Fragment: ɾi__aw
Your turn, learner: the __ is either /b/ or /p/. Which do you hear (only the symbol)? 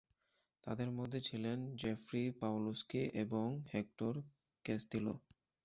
p